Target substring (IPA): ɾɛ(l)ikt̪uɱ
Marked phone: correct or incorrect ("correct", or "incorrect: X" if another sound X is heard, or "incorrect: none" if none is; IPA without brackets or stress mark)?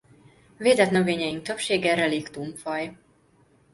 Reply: correct